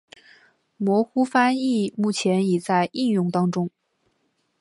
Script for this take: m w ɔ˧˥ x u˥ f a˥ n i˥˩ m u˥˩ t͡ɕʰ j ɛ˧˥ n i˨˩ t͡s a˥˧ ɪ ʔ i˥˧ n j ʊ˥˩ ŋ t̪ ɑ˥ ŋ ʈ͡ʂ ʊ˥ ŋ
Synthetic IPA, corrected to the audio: m w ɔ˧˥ x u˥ f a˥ n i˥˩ m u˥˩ t͡ɕʰ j ɛ˧˥ n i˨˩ t͡s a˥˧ ɪ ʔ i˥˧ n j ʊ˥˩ ŋ t̪ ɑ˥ ŋ ʈ͡ʂ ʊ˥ ŋ